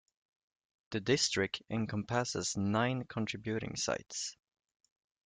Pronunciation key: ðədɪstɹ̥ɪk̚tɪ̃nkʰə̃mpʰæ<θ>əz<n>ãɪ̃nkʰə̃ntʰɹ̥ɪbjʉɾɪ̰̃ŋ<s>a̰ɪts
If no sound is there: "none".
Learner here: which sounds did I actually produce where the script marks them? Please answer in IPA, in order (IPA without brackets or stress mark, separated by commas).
s, n, s